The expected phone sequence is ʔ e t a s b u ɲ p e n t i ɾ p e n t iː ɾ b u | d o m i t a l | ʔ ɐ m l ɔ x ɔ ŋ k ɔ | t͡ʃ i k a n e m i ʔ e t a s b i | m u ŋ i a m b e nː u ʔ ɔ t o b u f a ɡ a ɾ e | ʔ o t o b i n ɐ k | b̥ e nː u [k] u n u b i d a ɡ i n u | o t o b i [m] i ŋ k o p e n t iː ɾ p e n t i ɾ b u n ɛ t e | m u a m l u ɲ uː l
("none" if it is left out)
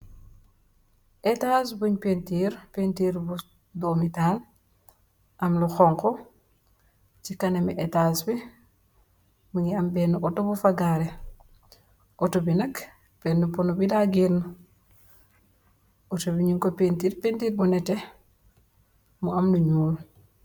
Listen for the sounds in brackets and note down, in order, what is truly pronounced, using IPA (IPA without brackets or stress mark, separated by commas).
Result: p, ɲ